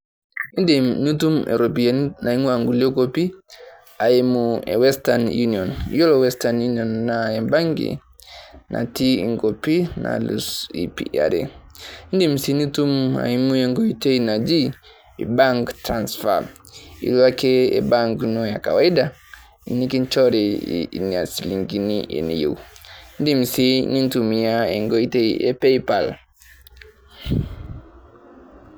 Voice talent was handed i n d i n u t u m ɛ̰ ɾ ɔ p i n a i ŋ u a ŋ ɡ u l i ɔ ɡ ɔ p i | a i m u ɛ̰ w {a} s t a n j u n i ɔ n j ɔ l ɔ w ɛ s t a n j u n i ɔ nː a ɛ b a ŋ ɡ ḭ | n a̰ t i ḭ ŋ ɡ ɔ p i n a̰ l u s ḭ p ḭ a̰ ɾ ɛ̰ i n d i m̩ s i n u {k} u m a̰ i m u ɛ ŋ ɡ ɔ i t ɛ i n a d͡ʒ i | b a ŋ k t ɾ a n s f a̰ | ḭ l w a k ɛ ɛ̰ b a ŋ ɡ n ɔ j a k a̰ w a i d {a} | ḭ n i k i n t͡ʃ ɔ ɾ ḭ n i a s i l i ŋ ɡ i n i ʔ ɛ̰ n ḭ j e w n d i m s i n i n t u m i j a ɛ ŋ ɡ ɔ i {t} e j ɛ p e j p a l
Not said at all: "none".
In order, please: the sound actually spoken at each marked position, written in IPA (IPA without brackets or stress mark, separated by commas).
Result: ɛ, t, a, t